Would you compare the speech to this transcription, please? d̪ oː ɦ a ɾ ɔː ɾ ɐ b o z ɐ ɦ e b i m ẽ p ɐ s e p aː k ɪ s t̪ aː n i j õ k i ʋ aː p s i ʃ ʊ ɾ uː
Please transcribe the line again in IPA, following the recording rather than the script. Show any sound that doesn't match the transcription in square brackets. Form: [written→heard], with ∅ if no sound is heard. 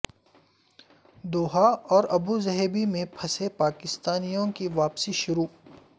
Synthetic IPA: d̪ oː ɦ a [ɾ→∅] ɔː ɾ ɐ b [o→u] z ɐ ɦ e b i m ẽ [p→pʰ] ɐ s e p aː k ɪ s t̪ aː n i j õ k i ʋ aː p s i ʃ ʊ ɾ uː